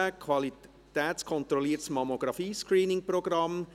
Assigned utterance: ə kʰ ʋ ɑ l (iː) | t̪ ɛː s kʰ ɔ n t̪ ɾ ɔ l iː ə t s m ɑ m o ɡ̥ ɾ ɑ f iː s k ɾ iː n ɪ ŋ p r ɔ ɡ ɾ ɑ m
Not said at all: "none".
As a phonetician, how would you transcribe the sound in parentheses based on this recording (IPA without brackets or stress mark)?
i